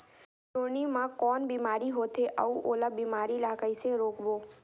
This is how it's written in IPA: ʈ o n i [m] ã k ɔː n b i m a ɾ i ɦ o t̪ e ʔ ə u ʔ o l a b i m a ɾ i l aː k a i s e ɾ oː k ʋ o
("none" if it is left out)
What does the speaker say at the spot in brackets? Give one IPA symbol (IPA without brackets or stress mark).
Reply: m